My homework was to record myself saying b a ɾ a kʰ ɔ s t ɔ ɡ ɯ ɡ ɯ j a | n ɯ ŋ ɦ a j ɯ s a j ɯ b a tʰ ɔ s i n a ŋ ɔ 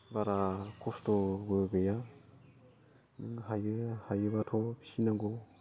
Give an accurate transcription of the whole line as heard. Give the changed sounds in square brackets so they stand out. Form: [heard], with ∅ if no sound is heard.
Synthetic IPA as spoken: b a ɾ a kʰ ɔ s t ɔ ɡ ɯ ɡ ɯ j a | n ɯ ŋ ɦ a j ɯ [h] a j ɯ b a tʰ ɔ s i n a [ɡ] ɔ